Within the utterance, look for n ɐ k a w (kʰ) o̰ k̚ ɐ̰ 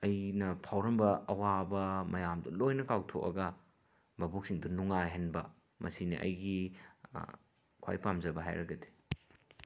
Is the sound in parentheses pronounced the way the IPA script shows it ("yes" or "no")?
no